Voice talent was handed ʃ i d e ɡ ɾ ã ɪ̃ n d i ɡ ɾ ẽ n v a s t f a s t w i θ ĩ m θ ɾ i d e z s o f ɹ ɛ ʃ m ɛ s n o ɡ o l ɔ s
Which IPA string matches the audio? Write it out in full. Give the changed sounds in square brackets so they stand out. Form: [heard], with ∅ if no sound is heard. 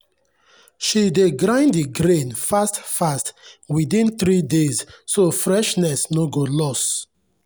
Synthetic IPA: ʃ i d e ɡ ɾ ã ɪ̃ n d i ɡ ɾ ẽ n [f] a s t f a s t w i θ ĩ [n] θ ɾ i d e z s o f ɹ ɛ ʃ [n] ɛ s n o ɡ o l ɔ s